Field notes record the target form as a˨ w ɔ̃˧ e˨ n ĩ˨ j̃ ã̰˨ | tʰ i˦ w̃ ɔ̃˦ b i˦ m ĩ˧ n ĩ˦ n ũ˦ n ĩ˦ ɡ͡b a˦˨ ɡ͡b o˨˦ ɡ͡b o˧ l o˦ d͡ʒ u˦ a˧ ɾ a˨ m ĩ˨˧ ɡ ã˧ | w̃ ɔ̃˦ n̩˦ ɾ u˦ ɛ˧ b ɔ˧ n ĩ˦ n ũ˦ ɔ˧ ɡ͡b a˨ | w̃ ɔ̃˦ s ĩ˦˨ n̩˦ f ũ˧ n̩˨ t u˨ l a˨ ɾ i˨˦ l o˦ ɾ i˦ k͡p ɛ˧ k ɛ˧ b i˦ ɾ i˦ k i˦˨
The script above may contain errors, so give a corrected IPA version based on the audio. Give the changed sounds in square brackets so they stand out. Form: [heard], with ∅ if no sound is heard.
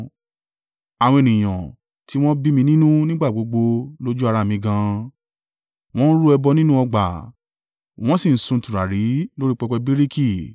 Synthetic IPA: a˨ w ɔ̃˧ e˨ n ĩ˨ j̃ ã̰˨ | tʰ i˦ w̃ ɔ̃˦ b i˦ m ĩ˧ n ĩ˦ n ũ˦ n ĩ˦ ɡ͡b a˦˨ ɡ͡b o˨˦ ɡ͡b o˧ l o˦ d͡ʒ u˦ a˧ ɾ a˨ m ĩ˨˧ ɡ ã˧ | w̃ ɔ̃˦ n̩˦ ɾ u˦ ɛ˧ b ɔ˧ n ĩ˦ n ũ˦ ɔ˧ ɡ͡b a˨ | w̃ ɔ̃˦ s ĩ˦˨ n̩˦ [s] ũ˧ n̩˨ t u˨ [ɾ] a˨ ɾ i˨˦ l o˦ ɾ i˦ k͡p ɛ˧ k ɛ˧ b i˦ ɾ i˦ k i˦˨